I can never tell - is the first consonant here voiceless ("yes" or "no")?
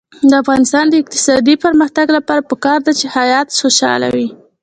no